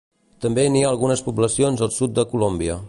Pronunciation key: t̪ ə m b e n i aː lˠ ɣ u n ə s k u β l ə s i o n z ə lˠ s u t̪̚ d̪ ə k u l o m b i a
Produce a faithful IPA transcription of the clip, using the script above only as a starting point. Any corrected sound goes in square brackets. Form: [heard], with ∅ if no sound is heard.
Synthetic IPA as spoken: t̪ ə m b e n i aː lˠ ɣ u n ə s [p] u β l ə s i o n z ə lˠ s u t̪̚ d̪ ə k u l o m b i [ə]